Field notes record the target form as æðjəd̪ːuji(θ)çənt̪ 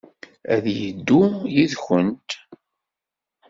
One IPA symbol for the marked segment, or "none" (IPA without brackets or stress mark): ð